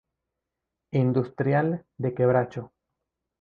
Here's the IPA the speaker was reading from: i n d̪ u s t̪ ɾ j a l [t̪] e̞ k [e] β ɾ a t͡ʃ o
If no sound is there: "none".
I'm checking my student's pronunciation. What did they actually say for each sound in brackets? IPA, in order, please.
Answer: d̪, e

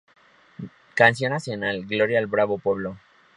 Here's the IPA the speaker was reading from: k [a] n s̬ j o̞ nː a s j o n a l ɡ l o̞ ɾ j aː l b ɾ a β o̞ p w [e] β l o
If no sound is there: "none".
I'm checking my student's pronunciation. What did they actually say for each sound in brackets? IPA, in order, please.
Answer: a, e

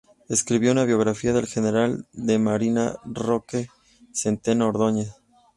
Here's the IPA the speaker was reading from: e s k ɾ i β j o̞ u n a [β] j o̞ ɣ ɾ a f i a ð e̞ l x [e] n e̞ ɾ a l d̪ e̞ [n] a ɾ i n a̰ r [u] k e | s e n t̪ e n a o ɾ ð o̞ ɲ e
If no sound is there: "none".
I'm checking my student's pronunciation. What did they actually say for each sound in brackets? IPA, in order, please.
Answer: β, e, m, o

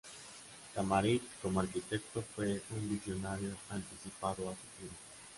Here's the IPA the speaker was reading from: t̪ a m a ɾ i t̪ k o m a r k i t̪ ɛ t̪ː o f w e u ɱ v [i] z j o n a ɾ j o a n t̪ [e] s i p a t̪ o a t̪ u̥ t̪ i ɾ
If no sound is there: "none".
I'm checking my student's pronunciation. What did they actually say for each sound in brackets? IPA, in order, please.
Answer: i, i

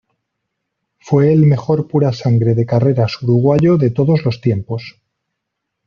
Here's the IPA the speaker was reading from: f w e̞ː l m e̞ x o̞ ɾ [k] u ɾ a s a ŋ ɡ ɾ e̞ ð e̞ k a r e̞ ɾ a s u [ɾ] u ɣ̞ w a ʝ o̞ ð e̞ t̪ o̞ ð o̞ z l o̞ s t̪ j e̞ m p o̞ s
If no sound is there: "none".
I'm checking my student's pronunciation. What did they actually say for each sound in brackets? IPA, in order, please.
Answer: p, ɾ

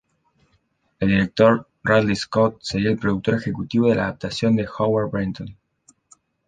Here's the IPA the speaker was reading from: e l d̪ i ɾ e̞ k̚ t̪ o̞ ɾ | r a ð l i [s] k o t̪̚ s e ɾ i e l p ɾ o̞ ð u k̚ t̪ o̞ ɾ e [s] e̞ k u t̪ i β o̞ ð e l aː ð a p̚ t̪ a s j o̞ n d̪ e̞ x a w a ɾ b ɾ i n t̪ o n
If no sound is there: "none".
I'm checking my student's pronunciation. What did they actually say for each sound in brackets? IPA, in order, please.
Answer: s, x

